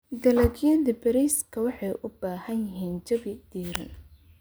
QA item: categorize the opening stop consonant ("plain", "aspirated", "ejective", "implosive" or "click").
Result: plain